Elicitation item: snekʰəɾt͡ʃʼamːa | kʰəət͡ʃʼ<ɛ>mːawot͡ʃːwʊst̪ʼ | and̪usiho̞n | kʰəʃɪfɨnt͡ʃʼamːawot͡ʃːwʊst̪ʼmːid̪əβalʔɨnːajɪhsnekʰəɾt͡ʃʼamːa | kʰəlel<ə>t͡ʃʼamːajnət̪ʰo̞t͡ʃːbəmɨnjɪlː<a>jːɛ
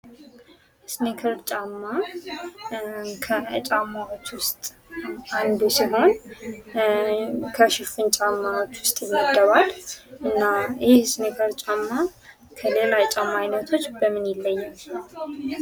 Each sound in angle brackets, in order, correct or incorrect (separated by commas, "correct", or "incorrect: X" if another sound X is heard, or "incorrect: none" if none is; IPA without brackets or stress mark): incorrect: a, incorrect: a, incorrect: ə